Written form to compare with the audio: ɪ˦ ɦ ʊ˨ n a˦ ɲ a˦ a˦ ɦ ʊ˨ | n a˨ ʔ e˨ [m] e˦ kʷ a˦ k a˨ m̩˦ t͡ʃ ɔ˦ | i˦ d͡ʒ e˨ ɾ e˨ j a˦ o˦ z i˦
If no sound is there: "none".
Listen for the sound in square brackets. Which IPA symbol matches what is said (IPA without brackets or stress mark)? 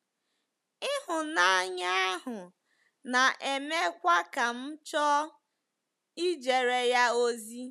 m